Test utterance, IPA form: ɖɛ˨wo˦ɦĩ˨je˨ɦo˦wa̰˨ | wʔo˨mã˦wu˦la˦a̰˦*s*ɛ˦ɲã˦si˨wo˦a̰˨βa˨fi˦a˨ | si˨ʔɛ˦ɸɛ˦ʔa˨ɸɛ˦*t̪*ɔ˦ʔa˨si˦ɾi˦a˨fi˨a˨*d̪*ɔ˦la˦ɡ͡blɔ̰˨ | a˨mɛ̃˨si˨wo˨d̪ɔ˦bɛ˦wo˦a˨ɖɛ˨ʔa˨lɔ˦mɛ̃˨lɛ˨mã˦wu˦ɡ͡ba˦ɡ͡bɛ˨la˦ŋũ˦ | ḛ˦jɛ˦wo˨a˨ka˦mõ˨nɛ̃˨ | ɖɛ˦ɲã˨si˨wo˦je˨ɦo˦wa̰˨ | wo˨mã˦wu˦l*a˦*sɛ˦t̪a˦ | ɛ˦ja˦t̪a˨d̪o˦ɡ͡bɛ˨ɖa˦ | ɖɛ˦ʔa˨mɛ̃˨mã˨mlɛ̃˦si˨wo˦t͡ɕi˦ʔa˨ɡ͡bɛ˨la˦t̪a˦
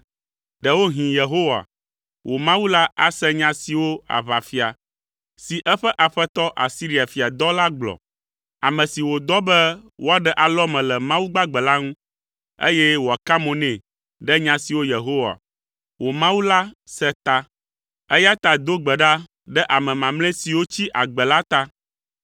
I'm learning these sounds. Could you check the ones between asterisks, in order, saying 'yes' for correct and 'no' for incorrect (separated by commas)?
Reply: yes, yes, yes, yes